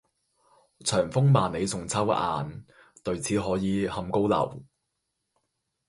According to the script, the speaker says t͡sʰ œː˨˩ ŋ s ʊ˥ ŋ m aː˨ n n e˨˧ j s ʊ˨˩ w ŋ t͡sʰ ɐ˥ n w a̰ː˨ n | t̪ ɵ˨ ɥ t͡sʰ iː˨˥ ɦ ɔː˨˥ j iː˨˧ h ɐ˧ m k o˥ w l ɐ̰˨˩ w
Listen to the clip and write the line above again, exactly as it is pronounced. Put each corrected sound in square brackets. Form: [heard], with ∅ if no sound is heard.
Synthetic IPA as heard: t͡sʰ œː˨˩ ŋ [f] ʊ˥ ŋ m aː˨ n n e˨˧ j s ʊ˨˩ [∅] ŋ t͡sʰ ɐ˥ [∅] w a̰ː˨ n | t̪ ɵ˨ ɥ t͡sʰ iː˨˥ ɦ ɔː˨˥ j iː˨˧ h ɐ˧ m k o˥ w l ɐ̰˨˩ w